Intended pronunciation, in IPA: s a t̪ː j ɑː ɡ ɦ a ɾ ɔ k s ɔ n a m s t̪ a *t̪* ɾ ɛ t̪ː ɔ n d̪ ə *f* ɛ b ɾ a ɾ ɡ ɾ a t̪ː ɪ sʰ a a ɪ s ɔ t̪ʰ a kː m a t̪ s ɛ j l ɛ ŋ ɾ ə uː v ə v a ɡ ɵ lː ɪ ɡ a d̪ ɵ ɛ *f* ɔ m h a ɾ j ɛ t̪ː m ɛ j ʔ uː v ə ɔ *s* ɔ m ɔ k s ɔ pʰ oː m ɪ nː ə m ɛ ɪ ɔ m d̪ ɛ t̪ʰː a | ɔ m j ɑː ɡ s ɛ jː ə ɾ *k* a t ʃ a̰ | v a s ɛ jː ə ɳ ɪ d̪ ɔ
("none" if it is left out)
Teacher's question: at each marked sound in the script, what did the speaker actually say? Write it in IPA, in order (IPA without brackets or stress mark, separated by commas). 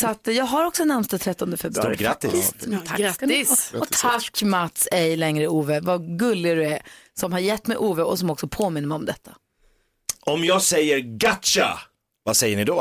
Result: t̪ʰ, f, s, s, ɡ